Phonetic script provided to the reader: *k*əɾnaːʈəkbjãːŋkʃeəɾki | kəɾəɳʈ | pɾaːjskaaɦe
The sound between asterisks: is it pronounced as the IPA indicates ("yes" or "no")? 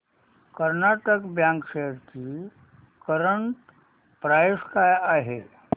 yes